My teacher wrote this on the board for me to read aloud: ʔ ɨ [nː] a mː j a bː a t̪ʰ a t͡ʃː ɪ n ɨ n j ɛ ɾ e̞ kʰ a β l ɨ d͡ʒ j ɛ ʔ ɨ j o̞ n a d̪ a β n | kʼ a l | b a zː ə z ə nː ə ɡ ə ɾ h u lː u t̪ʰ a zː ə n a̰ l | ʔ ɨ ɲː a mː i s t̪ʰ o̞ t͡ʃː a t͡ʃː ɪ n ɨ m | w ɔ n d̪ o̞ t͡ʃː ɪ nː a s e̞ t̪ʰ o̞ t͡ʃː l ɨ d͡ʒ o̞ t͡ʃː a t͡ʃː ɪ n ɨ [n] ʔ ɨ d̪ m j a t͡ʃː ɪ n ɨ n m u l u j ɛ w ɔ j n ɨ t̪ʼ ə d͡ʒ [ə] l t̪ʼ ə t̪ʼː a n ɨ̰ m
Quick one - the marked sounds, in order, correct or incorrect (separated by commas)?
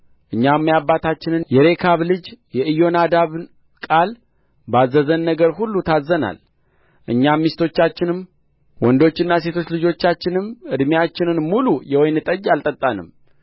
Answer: incorrect, incorrect, incorrect